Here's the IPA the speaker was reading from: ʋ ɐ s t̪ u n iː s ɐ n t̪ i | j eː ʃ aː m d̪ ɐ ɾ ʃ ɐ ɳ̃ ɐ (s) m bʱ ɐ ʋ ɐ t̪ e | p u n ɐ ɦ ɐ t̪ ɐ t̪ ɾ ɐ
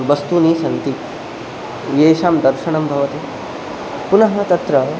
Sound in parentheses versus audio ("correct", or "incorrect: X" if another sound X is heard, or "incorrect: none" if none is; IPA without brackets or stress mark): incorrect: none